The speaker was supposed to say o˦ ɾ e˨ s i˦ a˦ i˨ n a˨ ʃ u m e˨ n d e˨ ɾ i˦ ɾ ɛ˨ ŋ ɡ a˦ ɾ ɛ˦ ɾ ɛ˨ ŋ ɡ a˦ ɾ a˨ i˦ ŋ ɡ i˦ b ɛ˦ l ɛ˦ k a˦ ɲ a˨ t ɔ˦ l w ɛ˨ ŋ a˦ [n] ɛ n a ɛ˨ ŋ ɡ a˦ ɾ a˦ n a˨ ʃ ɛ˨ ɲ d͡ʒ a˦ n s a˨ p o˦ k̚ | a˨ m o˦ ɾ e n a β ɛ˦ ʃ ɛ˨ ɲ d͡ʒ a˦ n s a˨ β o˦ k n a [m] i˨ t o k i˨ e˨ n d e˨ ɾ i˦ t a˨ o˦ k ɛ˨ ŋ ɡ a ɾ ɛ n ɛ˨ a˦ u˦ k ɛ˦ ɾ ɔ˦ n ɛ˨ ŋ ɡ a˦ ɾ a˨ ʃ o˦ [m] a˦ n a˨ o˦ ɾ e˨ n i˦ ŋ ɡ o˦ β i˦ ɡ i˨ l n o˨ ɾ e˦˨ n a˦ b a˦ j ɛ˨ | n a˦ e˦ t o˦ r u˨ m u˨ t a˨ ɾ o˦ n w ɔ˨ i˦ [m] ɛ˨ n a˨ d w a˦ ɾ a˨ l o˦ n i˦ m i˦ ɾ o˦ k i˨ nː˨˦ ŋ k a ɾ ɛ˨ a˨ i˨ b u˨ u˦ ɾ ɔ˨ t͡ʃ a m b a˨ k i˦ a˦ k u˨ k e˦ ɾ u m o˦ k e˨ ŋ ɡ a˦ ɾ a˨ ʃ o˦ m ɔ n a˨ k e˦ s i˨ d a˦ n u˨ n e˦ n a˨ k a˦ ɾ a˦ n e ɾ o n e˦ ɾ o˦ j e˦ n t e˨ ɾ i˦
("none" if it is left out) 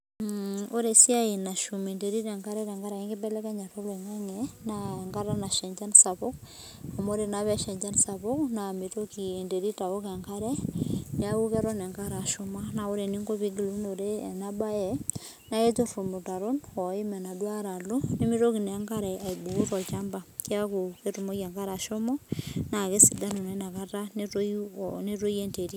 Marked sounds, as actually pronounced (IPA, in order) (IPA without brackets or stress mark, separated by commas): ŋ, m, m, m